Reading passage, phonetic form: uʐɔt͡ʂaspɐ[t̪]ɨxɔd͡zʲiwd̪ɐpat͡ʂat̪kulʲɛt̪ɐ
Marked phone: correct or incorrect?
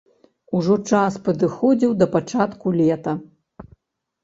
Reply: incorrect